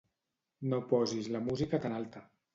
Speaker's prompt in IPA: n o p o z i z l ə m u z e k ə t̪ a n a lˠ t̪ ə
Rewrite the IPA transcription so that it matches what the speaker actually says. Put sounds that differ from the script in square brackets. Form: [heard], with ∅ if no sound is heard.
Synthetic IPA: n o p [ɔ] z i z l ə m u z [i] k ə t̪ a n a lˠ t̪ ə